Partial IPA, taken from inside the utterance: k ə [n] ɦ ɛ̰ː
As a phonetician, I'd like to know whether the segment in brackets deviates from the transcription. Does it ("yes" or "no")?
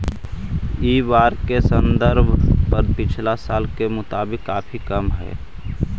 yes